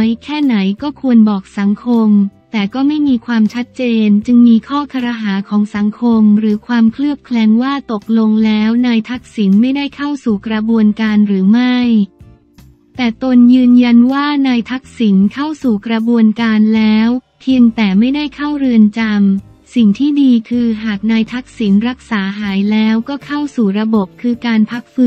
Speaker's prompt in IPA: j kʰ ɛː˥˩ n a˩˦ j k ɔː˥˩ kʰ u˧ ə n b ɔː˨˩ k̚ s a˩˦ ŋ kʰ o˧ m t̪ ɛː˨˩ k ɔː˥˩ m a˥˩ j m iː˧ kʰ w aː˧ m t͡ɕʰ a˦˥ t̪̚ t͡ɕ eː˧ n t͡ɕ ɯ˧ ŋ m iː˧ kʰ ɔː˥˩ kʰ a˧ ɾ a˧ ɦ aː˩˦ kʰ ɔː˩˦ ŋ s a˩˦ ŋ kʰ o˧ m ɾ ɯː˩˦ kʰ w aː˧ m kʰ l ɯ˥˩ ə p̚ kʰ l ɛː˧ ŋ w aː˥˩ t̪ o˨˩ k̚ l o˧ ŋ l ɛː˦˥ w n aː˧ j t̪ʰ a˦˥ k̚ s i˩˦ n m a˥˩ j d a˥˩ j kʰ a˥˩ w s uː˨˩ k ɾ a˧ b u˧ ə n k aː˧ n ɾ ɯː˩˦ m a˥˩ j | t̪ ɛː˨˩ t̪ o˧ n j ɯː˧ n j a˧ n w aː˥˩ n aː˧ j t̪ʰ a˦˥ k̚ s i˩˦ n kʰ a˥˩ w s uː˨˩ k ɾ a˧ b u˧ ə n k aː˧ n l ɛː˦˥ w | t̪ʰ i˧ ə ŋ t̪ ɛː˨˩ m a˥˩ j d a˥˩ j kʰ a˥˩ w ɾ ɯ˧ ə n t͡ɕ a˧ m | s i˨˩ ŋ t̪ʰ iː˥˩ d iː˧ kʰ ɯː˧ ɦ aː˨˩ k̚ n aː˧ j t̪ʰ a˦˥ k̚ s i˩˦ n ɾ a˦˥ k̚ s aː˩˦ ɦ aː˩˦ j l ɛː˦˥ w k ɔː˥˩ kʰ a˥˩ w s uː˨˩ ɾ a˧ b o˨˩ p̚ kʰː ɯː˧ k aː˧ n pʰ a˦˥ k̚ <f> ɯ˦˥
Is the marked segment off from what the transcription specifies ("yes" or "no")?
no